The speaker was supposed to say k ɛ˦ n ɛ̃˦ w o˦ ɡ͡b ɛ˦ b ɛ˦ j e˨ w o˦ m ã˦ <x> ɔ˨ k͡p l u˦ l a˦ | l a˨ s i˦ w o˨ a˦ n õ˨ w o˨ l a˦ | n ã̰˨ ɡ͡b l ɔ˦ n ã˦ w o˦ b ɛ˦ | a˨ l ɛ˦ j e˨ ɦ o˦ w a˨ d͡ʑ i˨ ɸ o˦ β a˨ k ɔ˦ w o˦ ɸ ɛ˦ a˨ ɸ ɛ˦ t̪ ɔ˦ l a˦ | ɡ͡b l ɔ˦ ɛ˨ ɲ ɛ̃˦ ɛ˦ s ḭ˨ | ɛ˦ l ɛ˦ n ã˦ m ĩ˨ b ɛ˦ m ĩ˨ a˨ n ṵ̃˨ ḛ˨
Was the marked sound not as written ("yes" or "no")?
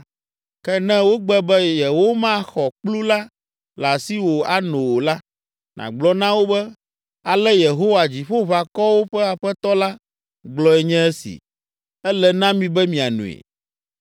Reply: no